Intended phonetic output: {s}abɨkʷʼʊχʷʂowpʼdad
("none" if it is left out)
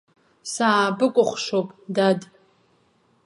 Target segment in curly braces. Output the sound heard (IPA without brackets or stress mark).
s